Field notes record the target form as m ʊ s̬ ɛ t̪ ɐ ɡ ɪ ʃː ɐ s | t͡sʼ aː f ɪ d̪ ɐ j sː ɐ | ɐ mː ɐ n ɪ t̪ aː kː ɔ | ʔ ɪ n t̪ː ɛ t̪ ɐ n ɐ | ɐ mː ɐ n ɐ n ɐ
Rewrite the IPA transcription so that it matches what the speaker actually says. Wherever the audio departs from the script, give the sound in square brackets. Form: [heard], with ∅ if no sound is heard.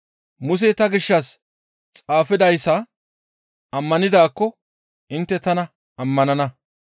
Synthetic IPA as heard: m ʊ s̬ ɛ t̪ ɐ ɡ ɪ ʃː ɐ s | t͡sʼ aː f ɪ d̪ ɐ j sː ɐ | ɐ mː ɐ n ɪ [d̪] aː kː ɔ | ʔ ɪ n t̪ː ɛ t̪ ɐ n ɐ | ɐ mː ɐ n ɐ n ɐ